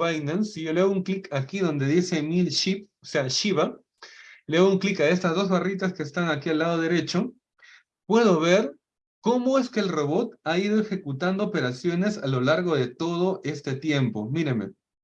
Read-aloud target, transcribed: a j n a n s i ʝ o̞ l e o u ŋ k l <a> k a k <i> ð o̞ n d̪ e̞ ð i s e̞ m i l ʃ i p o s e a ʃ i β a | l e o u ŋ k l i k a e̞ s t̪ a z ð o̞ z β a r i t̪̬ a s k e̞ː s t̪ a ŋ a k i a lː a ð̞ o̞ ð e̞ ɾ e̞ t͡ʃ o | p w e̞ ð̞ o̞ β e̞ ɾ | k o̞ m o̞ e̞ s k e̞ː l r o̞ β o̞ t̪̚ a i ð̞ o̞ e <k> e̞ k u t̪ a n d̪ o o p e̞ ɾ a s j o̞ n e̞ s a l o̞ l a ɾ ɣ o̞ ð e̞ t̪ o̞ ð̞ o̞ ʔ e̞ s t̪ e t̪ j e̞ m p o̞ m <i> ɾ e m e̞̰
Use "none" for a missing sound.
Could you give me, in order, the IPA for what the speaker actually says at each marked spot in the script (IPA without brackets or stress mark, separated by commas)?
i, i, x, i